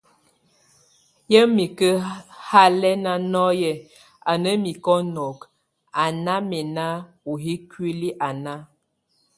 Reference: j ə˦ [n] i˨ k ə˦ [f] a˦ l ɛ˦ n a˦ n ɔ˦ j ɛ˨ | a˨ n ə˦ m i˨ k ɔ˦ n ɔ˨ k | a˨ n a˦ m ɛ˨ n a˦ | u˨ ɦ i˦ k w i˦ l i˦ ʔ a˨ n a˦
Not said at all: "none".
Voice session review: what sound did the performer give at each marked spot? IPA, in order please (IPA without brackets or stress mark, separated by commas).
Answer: m, h